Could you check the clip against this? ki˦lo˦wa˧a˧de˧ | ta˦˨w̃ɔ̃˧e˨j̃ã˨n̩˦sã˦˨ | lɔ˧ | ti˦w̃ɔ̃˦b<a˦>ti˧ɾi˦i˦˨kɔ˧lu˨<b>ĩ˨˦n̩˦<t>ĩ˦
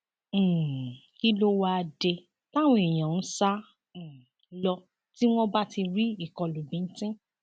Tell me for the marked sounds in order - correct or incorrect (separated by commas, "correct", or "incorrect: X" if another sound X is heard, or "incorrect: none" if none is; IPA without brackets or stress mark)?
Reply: correct, correct, correct